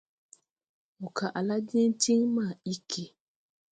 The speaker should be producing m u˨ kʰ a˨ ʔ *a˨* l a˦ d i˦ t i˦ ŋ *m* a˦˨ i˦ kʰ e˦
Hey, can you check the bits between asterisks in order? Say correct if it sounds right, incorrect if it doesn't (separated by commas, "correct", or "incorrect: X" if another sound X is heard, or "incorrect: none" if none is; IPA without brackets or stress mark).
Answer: correct, correct